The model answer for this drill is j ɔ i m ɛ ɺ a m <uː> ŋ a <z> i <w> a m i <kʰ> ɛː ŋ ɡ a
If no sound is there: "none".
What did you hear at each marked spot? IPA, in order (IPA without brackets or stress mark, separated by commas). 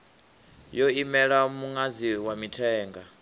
u, z, w, tʰ